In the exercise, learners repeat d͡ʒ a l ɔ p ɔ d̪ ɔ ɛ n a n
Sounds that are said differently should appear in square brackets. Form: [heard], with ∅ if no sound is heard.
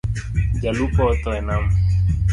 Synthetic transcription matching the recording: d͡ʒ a l [u] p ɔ [t̪] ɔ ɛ n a [m]